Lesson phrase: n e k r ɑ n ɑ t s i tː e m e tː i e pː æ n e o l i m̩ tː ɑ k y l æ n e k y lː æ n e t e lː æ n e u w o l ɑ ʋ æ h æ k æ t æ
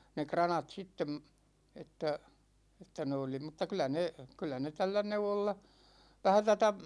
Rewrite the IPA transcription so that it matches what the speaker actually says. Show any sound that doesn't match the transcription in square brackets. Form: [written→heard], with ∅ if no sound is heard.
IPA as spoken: n e k r ɑ n ɑ t s i tː e m e tː [i→æ] e [pː→tː] æ n e o l i m̩ tː ɑ k y l æ n e k y lː æ n e t [e→æ] lː æ n e u w o [l→lː] ɑ ʋ æ h æ [k→t] æ t æ